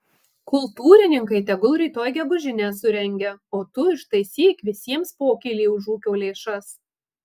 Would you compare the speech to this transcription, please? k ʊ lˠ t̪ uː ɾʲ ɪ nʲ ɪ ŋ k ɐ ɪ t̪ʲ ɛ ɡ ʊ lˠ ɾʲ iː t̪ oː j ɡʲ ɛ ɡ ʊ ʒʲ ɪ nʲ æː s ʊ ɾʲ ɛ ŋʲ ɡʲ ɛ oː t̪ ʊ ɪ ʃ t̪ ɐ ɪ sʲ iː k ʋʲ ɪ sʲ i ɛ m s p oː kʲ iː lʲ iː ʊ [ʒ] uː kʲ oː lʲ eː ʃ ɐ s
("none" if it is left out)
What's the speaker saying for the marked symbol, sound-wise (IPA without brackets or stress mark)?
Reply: ʒ